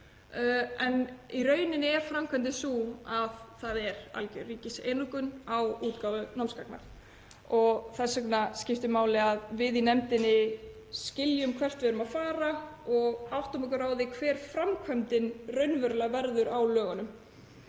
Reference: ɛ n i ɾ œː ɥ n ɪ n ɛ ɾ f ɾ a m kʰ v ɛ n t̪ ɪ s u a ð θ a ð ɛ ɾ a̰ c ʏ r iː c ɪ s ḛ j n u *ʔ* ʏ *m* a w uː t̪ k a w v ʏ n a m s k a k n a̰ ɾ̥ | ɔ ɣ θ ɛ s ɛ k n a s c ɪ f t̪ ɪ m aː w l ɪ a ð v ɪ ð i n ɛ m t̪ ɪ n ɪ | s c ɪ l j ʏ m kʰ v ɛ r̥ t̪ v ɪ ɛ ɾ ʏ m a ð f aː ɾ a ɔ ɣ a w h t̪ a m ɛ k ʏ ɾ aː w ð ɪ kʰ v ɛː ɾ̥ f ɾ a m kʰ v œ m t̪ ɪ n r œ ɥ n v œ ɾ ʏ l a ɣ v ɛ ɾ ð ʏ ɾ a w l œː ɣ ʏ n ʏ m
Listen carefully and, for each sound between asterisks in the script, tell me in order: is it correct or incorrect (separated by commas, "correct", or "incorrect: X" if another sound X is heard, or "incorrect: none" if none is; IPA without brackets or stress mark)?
incorrect: k, incorrect: n